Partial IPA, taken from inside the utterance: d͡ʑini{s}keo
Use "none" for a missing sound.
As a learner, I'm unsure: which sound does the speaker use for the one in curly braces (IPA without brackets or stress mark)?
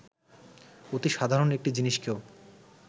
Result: ʃ